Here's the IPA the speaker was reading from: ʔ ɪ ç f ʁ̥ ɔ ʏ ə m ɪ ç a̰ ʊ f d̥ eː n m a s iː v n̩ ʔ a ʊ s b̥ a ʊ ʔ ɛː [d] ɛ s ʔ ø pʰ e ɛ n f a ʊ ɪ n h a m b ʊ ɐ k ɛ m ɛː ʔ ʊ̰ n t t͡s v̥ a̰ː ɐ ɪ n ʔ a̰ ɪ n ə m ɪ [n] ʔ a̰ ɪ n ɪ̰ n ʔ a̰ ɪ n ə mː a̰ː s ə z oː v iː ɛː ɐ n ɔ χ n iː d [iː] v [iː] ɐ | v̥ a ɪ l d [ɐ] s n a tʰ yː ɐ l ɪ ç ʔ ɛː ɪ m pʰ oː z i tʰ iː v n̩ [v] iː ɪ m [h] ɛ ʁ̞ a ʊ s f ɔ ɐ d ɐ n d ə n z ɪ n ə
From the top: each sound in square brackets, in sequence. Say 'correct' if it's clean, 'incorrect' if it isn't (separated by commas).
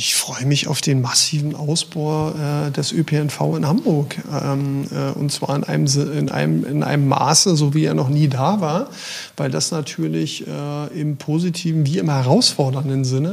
correct, correct, incorrect, incorrect, incorrect, correct, correct